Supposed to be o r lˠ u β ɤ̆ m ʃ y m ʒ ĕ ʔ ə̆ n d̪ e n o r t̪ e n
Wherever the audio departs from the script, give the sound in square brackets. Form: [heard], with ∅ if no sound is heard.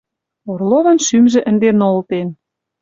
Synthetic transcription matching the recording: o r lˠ [o] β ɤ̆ [n] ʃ y m ʒ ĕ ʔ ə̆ n d̪ e n o [l] t̪ e n